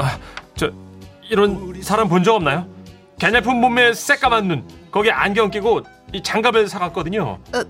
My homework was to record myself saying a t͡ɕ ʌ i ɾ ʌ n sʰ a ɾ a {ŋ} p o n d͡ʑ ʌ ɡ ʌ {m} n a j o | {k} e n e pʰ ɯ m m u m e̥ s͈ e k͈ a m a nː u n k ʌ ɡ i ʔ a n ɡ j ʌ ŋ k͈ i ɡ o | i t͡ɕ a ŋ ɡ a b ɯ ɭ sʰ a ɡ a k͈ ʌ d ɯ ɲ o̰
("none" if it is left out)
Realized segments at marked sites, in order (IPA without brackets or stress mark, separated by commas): m, m, k